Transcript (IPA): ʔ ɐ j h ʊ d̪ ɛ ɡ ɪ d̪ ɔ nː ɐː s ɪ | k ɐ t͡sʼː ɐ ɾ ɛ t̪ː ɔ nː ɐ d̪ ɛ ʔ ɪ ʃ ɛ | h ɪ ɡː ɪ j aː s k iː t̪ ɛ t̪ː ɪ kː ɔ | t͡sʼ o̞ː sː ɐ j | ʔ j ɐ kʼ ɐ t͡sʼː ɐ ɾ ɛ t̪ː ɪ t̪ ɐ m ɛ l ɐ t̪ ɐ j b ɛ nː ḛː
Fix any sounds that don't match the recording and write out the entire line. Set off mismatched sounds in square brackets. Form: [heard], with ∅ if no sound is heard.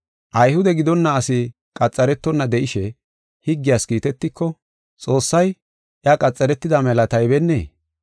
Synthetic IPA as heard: ʔ ɐ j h ʊ d̪ ɛ ɡ ɪ d̪ ɔ nː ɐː s ɪ | [kʼ] ɐ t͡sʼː ɐ ɾ ɛ t̪ː ɔ nː ɐ d̪ ɛ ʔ ɪ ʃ ɛ | h ɪ ɡː ɪ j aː s k iː t̪ ɛ t̪ː ɪ kː ɔ | t͡sʼ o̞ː sː ɐ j | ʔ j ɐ kʼ ɐ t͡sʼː ɐ ɾ ɛ t̪ː ɪ [d̪] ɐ m ɛ l ɐ t̪ ɐ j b ɛ nː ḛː